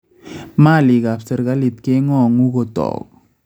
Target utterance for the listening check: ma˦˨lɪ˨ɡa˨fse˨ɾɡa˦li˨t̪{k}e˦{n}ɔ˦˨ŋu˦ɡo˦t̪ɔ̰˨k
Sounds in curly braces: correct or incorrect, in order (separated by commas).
correct, incorrect